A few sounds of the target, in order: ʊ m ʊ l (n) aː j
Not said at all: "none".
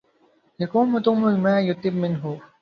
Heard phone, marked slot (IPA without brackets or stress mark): m